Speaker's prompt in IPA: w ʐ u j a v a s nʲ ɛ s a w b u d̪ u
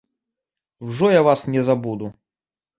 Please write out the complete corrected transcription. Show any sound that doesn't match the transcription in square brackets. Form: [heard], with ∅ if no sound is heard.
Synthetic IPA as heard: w ʐ [ɔ] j a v a s nʲ ɛ [z] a [∅] b u d̪ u